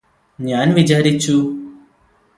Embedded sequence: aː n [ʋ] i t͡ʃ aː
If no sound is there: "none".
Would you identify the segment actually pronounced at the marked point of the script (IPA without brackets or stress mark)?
ʋ